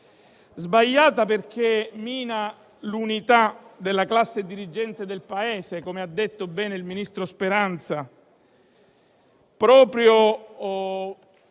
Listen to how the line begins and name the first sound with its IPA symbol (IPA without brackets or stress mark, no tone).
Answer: z